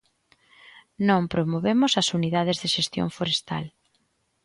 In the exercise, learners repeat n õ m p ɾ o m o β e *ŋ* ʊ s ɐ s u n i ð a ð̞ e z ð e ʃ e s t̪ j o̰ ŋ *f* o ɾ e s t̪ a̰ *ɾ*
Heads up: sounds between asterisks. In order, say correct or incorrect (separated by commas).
incorrect, correct, incorrect